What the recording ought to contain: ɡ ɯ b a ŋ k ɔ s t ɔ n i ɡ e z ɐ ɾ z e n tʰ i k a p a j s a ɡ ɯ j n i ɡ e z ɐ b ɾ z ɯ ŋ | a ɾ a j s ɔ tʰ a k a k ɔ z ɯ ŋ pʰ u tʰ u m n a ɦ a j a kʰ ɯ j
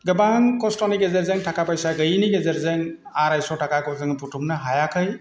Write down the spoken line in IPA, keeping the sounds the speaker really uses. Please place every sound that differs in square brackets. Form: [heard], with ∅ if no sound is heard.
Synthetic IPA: ɡ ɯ b a ŋ k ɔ s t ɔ n i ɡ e z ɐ ɾ z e [ŋ] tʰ [a] k a p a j s a ɡ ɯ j n i ɡ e z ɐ [∅] ɾ z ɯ ŋ | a ɾ a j s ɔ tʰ a k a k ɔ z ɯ ŋ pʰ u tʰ u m n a ɦ a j a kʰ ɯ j